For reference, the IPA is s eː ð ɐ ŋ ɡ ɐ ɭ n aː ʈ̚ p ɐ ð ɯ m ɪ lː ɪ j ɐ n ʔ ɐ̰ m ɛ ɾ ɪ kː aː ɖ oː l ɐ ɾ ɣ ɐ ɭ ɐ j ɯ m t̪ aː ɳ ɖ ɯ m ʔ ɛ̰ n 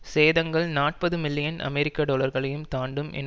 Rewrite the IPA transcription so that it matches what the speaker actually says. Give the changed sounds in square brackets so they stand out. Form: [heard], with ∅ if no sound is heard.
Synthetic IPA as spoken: s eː ð ɐ ŋ ɡ ɐ ɭ n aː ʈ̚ p ɐ ð ɯ m ɪ lː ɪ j ɐ n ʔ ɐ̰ m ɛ ɾ ɪ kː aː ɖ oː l ɐ ɾ ɣ ɐ ɭ ɐ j ɯ m t̪ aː ɳ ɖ ɯ m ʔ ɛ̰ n